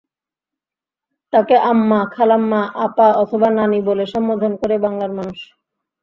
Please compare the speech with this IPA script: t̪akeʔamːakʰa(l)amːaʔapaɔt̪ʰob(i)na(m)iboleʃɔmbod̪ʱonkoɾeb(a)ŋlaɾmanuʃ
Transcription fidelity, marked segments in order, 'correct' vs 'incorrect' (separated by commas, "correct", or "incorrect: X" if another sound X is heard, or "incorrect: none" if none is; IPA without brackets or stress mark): correct, incorrect: a, incorrect: n, correct